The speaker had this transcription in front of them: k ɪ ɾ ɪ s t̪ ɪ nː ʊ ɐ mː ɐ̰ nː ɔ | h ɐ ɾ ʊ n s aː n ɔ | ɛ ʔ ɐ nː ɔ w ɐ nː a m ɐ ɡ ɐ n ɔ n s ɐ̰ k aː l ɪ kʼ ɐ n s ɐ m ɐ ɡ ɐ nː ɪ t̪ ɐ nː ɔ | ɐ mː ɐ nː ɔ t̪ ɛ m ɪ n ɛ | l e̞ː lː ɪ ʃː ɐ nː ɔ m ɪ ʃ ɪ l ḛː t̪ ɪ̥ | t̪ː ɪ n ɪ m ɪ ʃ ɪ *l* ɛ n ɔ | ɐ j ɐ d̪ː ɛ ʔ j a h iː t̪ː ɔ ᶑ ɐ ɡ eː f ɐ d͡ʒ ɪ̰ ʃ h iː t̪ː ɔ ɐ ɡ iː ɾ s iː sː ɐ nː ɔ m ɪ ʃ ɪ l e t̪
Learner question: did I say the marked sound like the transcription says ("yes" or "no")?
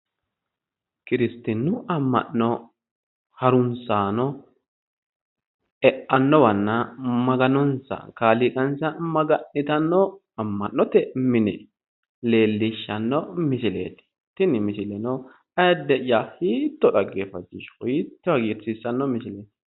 yes